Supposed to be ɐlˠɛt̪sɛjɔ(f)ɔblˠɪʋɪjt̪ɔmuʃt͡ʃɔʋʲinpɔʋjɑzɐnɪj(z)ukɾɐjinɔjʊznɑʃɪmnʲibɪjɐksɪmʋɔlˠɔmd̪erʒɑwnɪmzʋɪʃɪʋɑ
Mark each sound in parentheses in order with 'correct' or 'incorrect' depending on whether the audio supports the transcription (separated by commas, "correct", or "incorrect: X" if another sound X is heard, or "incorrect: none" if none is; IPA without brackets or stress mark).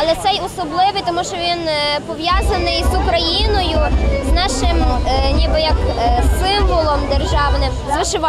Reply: incorrect: s, correct